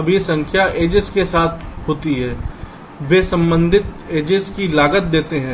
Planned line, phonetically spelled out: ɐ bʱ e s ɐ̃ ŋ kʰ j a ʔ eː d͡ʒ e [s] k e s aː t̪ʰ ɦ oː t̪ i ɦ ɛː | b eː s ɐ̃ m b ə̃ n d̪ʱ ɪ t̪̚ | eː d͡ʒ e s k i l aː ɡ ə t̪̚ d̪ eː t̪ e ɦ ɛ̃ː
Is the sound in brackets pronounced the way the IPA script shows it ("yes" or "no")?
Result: yes